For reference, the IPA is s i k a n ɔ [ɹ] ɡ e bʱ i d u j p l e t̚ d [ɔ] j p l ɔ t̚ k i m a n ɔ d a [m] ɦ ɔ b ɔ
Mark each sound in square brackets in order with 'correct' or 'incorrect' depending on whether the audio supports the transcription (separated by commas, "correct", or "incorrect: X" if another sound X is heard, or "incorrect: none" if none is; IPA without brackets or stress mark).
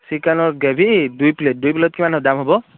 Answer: correct, incorrect: u, correct